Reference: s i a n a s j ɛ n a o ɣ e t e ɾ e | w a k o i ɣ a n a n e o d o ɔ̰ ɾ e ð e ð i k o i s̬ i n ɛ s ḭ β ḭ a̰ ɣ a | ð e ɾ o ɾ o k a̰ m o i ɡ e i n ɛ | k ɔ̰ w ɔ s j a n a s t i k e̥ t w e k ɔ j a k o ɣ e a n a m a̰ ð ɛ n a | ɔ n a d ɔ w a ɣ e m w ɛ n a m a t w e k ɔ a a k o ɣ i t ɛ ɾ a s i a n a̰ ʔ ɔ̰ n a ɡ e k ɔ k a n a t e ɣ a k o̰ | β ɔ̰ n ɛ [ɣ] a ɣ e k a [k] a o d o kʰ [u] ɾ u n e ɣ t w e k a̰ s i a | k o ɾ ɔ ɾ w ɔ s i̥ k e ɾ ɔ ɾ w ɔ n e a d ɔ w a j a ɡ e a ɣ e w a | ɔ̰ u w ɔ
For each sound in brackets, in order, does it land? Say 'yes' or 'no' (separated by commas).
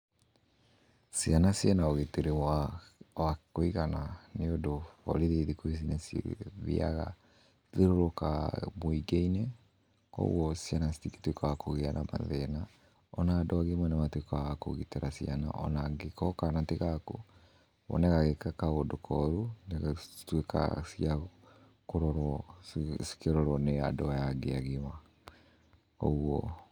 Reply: yes, yes, no